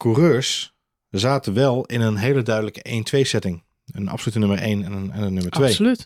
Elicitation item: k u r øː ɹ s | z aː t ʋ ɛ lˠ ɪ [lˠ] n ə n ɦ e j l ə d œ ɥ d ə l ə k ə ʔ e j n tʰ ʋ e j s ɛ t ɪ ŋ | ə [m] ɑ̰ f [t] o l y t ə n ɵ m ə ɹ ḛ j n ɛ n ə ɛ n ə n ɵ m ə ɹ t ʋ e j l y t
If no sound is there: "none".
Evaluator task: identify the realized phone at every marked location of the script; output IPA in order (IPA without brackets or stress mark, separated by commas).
none, n, s